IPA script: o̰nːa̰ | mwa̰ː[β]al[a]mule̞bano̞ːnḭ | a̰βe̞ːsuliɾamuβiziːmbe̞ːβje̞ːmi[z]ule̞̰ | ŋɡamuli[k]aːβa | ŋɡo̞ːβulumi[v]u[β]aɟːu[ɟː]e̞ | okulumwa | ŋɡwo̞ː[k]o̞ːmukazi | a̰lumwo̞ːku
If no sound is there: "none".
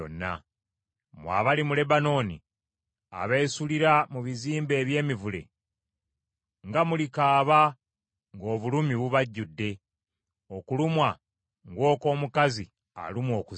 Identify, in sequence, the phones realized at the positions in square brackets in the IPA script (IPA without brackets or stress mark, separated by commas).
β, i, v, k, β, β, dː, k